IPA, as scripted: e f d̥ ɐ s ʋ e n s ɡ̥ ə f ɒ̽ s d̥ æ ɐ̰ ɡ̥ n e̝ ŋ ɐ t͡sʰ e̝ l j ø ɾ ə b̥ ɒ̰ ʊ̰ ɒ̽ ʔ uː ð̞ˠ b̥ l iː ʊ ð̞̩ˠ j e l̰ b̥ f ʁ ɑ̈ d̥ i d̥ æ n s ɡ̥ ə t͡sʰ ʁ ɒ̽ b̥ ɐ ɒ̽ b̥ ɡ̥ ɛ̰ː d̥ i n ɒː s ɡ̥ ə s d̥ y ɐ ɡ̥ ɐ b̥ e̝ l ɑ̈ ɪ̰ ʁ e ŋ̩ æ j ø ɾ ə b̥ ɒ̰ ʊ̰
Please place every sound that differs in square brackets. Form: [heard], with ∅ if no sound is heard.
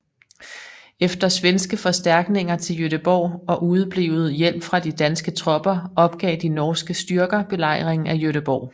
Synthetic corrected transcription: e f d̥ ɐ s ʋ e n s ɡ̥ ə f ɒ̽ s d̥ æ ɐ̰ ɡ̥ n e̝ ŋ ɐ t͡sʰ e̝ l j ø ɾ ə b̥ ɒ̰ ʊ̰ ɒ̽ ʔ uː ð̞ˠ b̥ l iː ʊ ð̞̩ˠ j e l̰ b̥ f ʁ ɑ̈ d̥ i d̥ æ n s ɡ̥ ə t͡sʰ ʁ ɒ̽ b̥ ɐ ɒ̽ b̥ ɡ̥ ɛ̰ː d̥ i n ɒː s ɡ̥ ə s d̥ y ɐ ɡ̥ ɐ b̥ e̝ l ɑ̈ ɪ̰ ʁ e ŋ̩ æ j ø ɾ ə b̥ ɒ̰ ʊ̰